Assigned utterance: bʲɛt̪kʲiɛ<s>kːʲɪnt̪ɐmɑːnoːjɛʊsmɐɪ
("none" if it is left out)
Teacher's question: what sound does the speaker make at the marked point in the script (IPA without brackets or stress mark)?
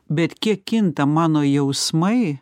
none